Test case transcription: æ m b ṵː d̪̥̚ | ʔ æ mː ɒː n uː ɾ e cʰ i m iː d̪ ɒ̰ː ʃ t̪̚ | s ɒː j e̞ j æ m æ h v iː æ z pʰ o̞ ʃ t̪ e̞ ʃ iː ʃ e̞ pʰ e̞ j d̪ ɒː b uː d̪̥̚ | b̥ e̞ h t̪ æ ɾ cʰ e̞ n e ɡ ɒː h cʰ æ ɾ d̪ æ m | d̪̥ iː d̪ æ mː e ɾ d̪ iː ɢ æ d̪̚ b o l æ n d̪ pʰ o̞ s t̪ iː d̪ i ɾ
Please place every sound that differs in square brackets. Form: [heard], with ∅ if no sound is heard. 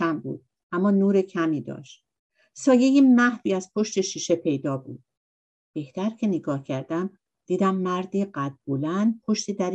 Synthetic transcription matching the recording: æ m b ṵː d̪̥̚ | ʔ æ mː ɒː n uː ɾ e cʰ [æ] m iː d̪ ɒ̰ː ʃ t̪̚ | s ɒː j e̞ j [i] m æ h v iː æ z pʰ o̞ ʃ t̪ e̞ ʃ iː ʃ e̞ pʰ e̞ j d̪ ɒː b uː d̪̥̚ | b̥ e̞ h t̪ æ ɾ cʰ e̞ n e ɡ ɒː h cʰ æ ɾ d̪ æ m | d̪̥ iː d̪ æ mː [æ] ɾ d̪ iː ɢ æ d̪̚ b o l æ n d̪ pʰ o̞ [ʃ] t̪ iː d̪ [æ] ɾ